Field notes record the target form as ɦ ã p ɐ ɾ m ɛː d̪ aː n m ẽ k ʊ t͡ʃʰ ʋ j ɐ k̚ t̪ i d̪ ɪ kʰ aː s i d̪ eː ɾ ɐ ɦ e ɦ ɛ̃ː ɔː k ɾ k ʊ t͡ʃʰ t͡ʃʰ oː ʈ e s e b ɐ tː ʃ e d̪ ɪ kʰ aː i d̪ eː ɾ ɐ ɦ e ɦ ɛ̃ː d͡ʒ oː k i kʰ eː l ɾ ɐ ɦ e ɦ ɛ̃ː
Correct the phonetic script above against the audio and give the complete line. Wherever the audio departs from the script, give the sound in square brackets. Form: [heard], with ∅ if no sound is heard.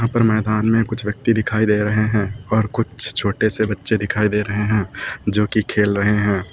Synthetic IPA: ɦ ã p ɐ ɾ m ɛː d̪ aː n m ẽ k ʊ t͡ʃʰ ʋ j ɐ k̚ t̪ i d̪ ɪ kʰ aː [∅] i d̪ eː ɾ ɐ ɦ e ɦ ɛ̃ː ɔː [∅] ɾ k ʊ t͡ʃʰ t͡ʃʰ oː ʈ e s e b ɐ tː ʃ e d̪ ɪ kʰ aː i d̪ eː ɾ ɐ ɦ e ɦ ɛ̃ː d͡ʒ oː k i kʰ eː l ɾ ɐ ɦ e ɦ ɛ̃ː

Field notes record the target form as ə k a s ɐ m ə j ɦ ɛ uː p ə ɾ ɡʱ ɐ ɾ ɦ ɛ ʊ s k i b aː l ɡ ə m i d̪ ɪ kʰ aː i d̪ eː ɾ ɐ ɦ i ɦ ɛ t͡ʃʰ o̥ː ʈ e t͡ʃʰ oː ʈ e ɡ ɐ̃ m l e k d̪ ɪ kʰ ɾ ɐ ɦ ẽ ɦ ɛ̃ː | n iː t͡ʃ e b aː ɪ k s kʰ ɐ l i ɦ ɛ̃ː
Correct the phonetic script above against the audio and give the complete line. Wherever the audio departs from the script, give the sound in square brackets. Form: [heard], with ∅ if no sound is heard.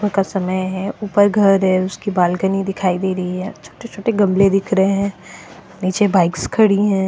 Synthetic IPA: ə k a s ɐ m ə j ɦ ɛ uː p ə ɾ ɡʱ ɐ ɾ ɦ ɛ ʊ s k i b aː l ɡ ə [n] i d̪ ɪ kʰ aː i d̪ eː ɾ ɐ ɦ i ɦ ɛ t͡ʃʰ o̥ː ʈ e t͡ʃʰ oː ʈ e ɡ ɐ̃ m l e [∅] d̪ ɪ kʰ ɾ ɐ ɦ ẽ ɦ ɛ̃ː | n iː t͡ʃ e b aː ɪ k s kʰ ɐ [ɽ] i ɦ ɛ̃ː

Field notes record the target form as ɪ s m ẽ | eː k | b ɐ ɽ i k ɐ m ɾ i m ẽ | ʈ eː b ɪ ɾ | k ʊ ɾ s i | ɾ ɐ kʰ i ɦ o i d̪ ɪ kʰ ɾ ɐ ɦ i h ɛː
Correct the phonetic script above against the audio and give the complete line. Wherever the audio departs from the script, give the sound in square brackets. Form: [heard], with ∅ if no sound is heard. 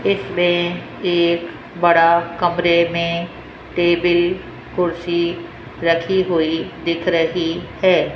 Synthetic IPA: ɪ s m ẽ | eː k | b ɐ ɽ [a] k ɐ m ɾ [e] m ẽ | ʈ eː b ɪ [l] | k ʊ ɾ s i | ɾ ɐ kʰ i ɦ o i d̪ ɪ kʰ ɾ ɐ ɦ i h ɛː

